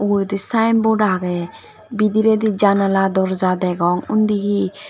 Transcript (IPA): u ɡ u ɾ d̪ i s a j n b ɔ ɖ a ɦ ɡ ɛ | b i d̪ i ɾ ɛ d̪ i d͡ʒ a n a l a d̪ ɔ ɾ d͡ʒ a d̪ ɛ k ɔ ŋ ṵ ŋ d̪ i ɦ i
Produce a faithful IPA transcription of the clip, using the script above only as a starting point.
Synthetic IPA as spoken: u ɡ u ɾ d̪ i s a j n b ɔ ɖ a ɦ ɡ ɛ | b i d̪ i ɾ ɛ d̪ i d͡ʒ a n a l a d̪ ɔ ɾ d͡ʒ a d̪ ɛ ɡ ɔ ŋ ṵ n d̪ i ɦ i